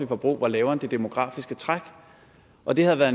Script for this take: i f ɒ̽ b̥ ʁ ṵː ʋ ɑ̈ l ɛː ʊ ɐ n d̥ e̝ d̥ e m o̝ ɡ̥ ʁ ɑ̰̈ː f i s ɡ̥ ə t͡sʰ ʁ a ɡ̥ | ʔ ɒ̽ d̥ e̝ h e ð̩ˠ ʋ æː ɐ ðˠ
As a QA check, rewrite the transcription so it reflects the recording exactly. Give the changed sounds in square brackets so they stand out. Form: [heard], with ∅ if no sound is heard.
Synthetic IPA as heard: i f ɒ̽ b̥ ʁ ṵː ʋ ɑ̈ l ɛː ʊ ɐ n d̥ e̝ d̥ e m o̝ ɡ̥ ʁ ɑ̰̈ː f i s ɡ̥ ə t͡sʰ ʁ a ɡ̥ | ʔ ɒ̽ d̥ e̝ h [æ] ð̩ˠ ʋ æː ɐ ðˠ